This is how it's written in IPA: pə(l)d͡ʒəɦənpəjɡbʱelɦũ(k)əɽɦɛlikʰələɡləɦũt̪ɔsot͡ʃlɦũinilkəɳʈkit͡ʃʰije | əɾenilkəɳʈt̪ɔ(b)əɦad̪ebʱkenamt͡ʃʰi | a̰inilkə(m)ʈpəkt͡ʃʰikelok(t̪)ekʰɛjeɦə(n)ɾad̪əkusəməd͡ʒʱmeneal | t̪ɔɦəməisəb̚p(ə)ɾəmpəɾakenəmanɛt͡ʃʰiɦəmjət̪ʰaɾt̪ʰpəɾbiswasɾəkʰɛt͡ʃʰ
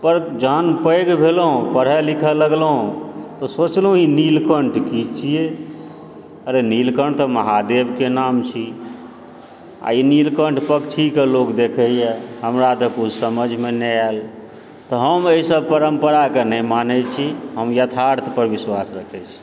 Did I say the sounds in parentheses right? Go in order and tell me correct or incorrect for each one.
incorrect: ɾ, incorrect: p, incorrect: m, incorrect: ɳ, incorrect: d̪, incorrect: m, correct

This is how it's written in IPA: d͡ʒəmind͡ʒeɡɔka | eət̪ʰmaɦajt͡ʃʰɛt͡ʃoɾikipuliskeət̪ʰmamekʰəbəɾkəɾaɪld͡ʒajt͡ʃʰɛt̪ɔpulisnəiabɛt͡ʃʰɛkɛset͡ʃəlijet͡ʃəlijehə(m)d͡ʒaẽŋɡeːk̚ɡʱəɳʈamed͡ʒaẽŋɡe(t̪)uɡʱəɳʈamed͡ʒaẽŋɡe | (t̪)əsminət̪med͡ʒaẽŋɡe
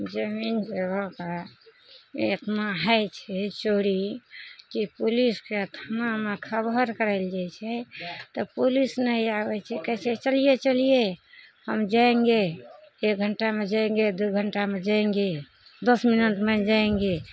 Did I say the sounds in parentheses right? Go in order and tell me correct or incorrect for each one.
correct, incorrect: d̪, incorrect: d̪

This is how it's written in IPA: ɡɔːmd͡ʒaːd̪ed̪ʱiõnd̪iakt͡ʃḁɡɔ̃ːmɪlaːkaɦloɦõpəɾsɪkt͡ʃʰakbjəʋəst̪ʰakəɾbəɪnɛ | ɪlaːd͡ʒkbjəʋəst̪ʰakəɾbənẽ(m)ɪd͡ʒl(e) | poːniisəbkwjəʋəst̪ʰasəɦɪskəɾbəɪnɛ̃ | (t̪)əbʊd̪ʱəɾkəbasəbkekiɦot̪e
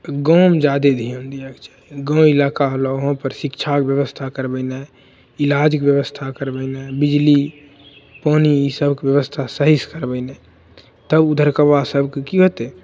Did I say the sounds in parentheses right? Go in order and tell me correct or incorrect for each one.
incorrect: b, incorrect: i, correct

